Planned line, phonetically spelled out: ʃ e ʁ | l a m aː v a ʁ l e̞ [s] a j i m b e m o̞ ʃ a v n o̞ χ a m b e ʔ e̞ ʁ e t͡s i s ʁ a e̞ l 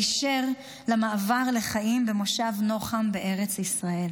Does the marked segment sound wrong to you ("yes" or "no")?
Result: yes